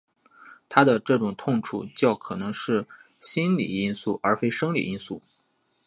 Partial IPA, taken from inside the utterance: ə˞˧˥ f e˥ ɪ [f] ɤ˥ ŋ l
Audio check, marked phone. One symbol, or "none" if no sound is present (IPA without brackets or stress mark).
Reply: ʂ